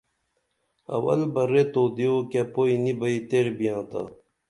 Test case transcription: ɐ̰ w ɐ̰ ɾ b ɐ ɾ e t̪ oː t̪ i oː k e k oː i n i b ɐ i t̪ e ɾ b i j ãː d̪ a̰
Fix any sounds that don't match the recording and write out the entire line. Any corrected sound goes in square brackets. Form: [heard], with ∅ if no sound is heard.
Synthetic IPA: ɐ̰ w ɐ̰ [l] b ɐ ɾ e t̪ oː [d̪] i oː k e [p] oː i n i b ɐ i t̪ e ɾ b i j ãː [t̪] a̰